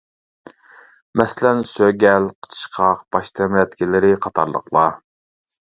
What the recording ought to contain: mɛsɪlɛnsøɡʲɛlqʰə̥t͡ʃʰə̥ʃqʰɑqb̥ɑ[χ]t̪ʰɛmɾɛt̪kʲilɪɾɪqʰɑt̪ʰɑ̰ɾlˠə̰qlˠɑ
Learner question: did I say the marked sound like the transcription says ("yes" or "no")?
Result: no